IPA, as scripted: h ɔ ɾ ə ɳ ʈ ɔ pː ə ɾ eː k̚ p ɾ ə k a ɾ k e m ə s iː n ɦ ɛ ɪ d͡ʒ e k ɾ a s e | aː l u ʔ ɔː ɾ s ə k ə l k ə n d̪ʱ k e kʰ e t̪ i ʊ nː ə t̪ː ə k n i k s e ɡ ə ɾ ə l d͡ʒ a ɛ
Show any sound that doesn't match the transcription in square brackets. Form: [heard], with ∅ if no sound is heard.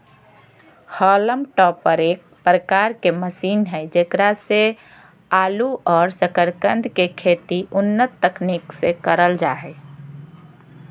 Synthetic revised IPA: h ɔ [l] ə [m] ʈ ɔ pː ə ɾ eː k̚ p ɾ ə k a ɾ k e m ə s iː n ɦ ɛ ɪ d͡ʒ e k ɾ a s e | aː l u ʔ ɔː ɾ s ə k ə [ɾ] k ə n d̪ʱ k e kʰ e t̪ i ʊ nː ə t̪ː ə k n i k s e [k] ə ɾ ə l d͡ʒ a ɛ